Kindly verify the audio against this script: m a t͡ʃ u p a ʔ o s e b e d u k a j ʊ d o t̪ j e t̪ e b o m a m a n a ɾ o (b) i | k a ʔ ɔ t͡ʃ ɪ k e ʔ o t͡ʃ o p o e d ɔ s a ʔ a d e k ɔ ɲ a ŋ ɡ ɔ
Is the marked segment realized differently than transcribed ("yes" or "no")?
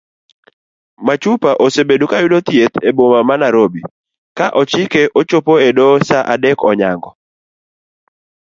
no